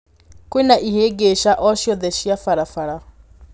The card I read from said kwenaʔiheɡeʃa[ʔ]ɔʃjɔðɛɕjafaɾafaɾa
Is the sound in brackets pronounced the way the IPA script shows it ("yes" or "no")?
yes